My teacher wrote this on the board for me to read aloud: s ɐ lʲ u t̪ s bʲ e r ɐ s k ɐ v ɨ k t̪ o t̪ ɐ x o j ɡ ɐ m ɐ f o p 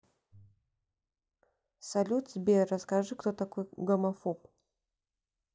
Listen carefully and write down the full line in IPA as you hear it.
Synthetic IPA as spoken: s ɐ lʲ u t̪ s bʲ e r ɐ s k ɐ ʐ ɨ k t̪ o t̪ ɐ k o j ɡ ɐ m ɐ f o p